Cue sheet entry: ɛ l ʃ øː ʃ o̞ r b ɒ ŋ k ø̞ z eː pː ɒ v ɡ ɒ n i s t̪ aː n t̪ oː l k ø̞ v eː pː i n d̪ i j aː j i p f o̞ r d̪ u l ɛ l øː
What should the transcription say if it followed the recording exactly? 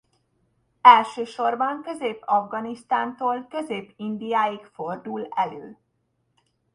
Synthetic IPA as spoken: ɛ l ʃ øː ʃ o̞ r b ɒ ŋ k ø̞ z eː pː ɒ v ɡ ɒ n i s t̪ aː n t̪ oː l k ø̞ z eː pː i n d̪ i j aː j i k f o̞ r d̪ u l ɛ l øː